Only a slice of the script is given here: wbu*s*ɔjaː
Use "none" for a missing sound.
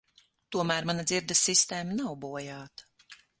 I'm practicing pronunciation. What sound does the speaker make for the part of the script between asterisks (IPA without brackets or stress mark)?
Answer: none